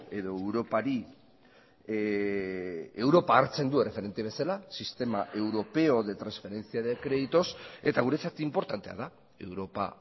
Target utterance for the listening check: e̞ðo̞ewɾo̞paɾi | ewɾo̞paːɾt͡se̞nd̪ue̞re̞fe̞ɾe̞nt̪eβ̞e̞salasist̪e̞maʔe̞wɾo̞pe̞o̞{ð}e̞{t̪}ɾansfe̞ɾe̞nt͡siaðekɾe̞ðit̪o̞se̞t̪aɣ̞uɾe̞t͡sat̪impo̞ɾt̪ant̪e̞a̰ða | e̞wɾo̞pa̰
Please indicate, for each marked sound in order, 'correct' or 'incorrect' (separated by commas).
correct, correct